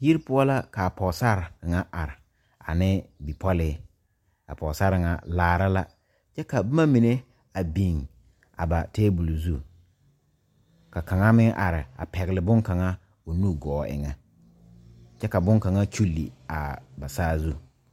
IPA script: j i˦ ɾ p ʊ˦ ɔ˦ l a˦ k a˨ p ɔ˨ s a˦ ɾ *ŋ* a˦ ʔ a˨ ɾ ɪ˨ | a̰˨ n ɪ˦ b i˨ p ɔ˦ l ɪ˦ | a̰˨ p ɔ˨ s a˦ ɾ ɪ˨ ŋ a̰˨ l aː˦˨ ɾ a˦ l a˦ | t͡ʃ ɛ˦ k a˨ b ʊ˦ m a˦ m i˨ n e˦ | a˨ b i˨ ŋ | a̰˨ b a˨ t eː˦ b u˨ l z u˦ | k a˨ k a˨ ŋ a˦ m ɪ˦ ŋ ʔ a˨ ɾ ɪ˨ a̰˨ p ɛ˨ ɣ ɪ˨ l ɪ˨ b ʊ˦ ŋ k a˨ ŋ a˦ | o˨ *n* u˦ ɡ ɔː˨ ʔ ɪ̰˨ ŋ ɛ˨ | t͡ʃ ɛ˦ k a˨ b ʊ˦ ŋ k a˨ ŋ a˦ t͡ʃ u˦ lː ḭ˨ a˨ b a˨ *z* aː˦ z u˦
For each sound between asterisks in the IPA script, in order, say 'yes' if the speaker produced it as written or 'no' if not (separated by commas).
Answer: yes, yes, no